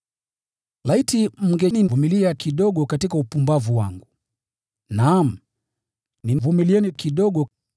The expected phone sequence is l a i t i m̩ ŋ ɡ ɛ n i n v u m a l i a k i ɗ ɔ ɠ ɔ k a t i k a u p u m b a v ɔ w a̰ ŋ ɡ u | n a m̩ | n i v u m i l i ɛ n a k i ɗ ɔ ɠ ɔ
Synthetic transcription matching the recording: l a i t i m̩ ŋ ɡ ɛ n i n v u m i l i a k i ɗ ɔ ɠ ɔ k a t i k a u p u m b a v u w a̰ ŋ ɡ u | n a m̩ | n i v u m i l i ɛ n i k i ɗ ɔ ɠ ɔ